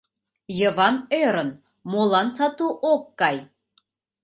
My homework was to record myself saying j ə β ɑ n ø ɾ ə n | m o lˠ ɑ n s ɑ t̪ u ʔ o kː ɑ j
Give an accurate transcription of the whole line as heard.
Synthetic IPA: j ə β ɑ n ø ɾ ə n | m o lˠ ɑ n s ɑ t̪ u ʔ o kː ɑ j